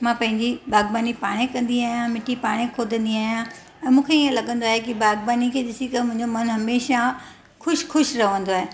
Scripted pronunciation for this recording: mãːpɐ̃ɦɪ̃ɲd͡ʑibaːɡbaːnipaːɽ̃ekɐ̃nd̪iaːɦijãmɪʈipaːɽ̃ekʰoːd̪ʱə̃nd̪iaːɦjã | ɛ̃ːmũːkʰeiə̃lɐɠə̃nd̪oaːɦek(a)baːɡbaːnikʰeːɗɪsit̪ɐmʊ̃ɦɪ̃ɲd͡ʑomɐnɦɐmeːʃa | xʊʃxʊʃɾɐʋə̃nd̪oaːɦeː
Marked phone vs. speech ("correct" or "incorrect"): incorrect